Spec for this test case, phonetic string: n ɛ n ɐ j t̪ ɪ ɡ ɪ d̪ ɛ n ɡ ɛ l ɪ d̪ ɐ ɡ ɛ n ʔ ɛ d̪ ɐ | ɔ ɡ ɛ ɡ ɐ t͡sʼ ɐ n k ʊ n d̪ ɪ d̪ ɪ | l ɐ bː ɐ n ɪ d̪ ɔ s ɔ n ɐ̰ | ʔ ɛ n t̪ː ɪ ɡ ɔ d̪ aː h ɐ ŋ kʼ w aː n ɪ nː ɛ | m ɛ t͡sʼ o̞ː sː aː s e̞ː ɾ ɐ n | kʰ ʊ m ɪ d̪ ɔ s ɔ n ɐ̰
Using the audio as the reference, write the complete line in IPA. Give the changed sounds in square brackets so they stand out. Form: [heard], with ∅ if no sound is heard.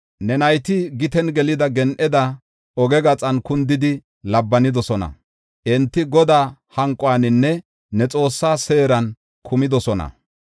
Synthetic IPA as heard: n ɛ n ɐ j t̪ ɪ ɡ ɪ [t̪] ɛ n ɡ ɛ l ɪ d̪ ɐ ɡ ɛ n ʔ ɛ d̪ ɐ | ɔ ɡ ɛ ɡ ɐ t͡sʼ ɐ n k ʊ n d̪ ɪ d̪ ɪ | l ɐ bː ɐ n ɪ d̪ ɔ s ɔ n ɐ̰ | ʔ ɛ n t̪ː ɪ ɡ ɔ d̪ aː h ɐ ŋ kʼ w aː n ɪ nː ɛ | [n] ɛ t͡sʼ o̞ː sː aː s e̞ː ɾ ɐ n | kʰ ʊ m ɪ d̪ ɔ s ɔ n ɐ̰